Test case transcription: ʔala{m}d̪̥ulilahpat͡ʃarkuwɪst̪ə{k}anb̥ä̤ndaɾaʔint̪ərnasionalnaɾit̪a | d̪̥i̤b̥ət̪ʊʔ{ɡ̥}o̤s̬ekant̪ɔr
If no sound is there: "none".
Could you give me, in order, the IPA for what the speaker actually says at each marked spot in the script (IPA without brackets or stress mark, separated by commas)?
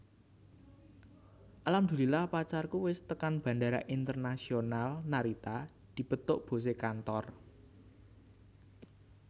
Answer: m, k, b̥